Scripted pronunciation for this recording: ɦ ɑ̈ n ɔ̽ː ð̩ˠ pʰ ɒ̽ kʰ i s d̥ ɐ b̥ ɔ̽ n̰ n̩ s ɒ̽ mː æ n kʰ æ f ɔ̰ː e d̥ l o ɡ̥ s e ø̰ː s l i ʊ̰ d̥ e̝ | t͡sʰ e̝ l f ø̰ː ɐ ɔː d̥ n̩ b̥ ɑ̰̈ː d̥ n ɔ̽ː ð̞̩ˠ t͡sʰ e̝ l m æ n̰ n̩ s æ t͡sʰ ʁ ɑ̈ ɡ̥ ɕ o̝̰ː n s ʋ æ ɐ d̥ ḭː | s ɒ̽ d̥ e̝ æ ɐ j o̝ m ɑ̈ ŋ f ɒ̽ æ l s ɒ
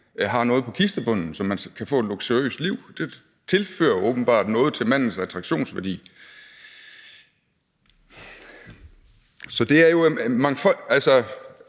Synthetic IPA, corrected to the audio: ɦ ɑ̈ n ɔ̽ː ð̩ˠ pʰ ɒ̽ kʰ i s d̥ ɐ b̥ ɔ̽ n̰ n̩ s ɒ̽ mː æ n kʰ æ f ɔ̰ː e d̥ l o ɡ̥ s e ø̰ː s l i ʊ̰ d̥ e̝ | t͡sʰ e̝ l f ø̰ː ɐ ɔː b̥ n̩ b̥ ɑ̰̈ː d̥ n ɔ̽ː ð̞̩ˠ t͡sʰ e̝ l m æ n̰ n̩ s æ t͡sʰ ʁ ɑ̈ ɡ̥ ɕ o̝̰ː n s ʋ æ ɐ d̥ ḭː | s ɒ̽ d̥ e̝ æ ɐ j o̝ m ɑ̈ ŋ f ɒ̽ æ l s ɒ